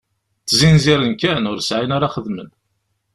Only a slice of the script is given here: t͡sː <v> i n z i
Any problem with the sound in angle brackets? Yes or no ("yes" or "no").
yes